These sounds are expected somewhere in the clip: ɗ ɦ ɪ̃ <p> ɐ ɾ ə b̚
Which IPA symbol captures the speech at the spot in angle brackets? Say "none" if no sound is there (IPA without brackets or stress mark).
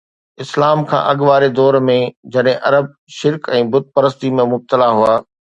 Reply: ʔ